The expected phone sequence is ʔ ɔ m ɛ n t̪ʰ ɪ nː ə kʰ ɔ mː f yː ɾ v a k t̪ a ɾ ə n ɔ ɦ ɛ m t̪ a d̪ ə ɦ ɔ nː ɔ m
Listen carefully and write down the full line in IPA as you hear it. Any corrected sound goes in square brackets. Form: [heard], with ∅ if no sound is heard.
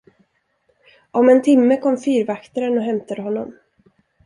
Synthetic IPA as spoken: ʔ ɔ m ɛ n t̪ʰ ɪ [mː] ə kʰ ɔ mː f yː ɾ v a k t̪ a ɾ ə n ɔ ɦ ɛ m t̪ a d̪ ə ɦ ɔ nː ɔ m